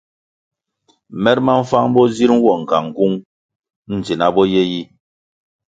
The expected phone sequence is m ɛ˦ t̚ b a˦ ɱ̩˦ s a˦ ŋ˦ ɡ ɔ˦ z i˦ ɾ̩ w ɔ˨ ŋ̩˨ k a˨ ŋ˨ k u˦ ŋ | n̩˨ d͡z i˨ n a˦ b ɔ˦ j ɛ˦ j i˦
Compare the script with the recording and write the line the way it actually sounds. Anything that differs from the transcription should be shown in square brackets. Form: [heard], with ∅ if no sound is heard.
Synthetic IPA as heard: m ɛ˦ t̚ [m] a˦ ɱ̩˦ [f] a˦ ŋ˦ [b] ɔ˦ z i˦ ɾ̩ w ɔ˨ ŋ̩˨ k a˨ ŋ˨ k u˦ ŋ | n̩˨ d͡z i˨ n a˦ b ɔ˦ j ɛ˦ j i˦